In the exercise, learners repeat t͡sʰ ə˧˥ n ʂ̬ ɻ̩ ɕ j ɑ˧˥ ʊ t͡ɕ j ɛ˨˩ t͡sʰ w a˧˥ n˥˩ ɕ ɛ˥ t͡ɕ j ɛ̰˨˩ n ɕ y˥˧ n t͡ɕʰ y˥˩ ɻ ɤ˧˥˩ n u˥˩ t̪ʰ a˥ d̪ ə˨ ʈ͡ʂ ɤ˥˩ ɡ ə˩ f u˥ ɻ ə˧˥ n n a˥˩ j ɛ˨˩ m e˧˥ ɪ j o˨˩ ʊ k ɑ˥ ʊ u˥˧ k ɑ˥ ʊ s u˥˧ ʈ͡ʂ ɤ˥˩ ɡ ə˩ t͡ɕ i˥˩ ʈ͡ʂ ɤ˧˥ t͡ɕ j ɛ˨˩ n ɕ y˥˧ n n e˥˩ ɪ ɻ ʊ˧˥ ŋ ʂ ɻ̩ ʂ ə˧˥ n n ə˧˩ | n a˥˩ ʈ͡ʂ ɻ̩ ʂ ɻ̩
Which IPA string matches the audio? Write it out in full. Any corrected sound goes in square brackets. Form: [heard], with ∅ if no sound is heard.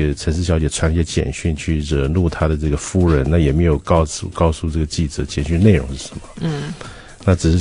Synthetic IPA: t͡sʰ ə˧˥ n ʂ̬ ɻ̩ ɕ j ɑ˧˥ ʊ t͡ɕ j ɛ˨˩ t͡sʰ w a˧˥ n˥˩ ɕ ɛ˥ t͡ɕ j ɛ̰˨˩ n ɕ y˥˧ n t͡ɕʰ y˥˩ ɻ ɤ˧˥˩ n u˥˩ t̪ʰ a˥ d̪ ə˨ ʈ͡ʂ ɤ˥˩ ɡ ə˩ f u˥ ɻ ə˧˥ n n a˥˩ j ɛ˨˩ m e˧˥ ɪ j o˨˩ ʊ k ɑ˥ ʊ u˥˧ k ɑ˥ ʊ s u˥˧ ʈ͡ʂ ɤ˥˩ ɡ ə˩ t͡ɕ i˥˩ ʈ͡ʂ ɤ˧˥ t͡ɕ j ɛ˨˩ n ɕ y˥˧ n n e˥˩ ɪ ɻ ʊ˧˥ ŋ ʂ ɻ̩ ʂ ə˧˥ n [m] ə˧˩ | n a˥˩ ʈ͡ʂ ɻ̩ ʂ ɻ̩